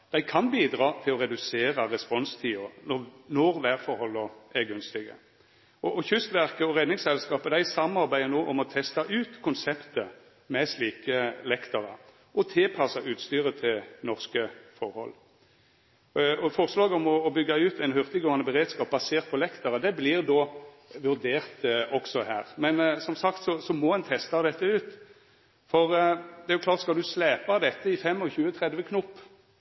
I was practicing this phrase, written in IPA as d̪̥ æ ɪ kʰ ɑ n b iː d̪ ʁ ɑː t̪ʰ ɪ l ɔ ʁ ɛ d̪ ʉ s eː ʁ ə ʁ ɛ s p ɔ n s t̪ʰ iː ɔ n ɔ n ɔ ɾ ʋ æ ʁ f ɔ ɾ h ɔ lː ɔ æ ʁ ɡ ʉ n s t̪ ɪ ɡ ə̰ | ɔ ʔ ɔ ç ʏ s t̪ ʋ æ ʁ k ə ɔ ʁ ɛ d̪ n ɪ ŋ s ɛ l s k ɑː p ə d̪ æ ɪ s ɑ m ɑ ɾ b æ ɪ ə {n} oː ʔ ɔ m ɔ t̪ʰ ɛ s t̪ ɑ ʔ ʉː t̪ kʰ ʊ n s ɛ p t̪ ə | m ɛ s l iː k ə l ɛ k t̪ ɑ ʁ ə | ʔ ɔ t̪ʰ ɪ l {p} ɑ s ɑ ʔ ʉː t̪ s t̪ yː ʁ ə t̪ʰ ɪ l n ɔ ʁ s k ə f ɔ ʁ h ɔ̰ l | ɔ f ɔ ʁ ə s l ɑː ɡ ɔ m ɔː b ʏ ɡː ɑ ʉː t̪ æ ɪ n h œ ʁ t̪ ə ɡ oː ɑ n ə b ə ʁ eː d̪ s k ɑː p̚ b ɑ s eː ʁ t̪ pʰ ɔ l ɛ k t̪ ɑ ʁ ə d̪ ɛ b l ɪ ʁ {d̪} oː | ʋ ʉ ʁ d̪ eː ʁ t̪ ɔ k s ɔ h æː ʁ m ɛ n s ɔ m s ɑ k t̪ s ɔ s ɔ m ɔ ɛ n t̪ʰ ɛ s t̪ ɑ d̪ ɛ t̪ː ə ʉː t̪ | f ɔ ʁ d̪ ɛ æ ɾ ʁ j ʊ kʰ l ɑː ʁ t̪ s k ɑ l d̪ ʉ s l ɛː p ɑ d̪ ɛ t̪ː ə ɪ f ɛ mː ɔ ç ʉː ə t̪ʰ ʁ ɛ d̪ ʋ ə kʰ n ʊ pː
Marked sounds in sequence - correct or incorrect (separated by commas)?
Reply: correct, incorrect, correct